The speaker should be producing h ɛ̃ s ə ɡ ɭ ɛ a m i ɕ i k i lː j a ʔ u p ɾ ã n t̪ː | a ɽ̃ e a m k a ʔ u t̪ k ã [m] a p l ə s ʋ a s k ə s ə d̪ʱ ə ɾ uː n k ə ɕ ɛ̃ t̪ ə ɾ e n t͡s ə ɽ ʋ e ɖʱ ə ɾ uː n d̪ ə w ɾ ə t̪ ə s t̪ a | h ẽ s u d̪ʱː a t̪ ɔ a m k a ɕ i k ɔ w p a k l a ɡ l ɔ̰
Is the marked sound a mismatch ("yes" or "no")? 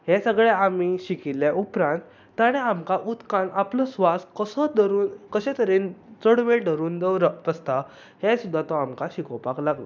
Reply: yes